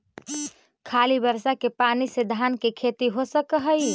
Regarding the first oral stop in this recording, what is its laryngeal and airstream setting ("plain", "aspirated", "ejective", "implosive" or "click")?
aspirated